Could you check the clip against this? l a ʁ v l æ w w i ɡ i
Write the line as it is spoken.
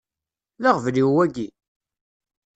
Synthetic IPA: l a ʁ v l i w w æ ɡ i

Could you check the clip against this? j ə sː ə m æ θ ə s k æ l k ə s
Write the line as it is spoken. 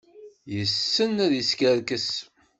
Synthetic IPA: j ə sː ə n æ ð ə s k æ ɾ k ə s

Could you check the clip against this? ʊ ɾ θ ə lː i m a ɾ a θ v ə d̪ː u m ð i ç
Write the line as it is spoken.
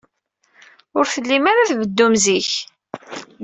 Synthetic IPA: ʊ ɾ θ ə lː i m a ɾ a θ v ə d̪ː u m z i ç

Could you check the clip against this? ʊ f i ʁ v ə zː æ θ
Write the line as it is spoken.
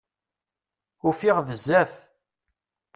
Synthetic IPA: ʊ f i ʁ v ə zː æ f

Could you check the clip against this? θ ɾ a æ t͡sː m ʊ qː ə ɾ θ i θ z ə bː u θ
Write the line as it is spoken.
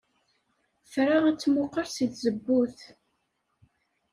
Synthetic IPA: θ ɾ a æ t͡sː m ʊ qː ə ɾ s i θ z ə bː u θ

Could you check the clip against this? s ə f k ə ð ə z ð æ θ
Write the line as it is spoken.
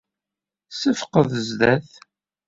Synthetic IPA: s ə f q ə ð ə z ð æ θ

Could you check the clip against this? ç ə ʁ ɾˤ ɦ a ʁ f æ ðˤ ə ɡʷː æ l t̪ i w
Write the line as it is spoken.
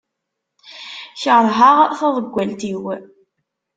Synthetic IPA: ç ə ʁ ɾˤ ɦ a ʁ θ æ ðˤ ə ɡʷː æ l t̪ i w

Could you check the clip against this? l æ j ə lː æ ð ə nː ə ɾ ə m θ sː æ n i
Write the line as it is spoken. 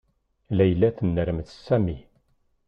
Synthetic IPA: l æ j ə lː æ θ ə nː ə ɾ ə m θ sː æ m i

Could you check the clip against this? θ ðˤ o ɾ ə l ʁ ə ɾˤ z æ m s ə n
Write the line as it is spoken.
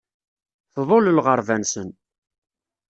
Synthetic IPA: θ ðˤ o l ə l ʁ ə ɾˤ v æ n s ə n

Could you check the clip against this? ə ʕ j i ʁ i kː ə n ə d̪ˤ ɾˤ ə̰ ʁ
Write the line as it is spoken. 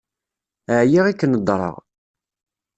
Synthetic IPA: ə ʕ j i ʁ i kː ə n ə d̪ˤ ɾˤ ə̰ ʁ

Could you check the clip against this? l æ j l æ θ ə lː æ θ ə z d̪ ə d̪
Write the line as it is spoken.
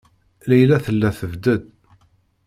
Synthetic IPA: l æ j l æ θ ə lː æ θ ə v d̪ ə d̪

